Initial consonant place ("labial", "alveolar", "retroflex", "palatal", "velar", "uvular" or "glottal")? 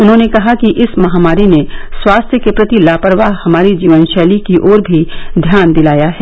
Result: alveolar